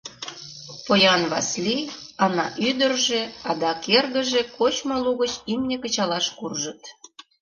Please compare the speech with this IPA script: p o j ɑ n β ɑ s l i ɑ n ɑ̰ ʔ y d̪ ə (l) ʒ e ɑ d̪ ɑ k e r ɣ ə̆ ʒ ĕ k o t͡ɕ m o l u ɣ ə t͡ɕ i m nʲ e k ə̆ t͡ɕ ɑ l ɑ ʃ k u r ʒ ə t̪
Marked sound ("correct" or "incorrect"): incorrect